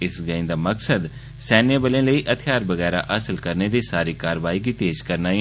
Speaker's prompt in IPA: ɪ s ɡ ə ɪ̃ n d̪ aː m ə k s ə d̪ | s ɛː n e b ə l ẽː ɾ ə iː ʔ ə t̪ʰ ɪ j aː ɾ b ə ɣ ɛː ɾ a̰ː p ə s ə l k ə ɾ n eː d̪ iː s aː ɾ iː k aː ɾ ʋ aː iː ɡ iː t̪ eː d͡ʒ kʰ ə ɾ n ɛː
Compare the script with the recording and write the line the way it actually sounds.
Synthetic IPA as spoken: ɪ s ɡ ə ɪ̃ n d̪ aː m ə k s ə d̪ | s ɛː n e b ə l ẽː l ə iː ʔ ə t̪ʰ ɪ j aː ɾ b ə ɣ ɛː ɾ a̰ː ʔ ə s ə l k ə ɾ n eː d̪ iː s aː ɾ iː k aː ɾ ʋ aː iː ɡ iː t̪ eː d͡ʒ k ə ɾ n aː